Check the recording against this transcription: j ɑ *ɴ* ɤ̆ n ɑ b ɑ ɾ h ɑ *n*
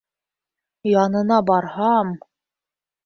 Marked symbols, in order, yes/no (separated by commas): no, no